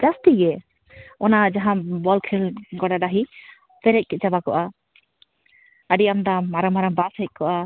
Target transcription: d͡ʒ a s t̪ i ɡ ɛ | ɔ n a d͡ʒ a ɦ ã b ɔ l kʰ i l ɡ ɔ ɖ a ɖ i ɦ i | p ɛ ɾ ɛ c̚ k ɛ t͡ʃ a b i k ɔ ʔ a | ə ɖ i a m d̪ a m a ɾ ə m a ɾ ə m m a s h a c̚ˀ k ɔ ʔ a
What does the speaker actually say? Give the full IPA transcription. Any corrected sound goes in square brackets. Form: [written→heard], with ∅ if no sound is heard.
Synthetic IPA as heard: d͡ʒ a s t̪ i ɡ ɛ | ɔ n a d͡ʒ a ɦ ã b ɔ l kʰ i l ɡ ɔ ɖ a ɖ [i→a] ɦ i | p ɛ ɾ ɛ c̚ k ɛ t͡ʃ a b [i→a] k ɔ ʔ a | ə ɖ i a m d̪ a m a ɾ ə m a ɾ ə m [m→b] a s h [a→ɛ] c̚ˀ k ɔ ʔ a